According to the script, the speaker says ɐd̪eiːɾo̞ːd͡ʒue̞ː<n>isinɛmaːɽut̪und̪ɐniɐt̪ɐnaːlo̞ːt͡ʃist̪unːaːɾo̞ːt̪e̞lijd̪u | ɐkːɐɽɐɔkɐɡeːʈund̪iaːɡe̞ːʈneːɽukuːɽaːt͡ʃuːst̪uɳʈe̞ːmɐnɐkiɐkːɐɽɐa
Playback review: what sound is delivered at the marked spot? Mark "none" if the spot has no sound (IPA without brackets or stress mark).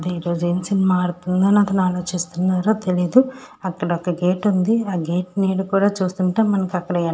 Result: m